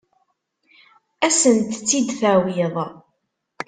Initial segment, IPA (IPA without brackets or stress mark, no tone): æ